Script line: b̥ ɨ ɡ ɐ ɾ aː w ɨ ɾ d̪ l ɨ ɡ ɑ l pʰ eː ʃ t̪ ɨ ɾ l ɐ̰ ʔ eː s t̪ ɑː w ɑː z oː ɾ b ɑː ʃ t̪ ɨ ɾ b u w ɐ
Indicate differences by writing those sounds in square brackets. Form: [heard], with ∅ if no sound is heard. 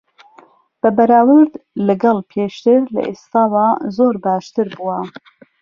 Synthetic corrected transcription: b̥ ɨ [b] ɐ ɾ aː w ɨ ɾ d̪ l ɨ ɡ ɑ l pʰ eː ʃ t̪ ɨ ɾ l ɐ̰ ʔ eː s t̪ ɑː w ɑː z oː ɾ b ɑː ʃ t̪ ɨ ɾ b u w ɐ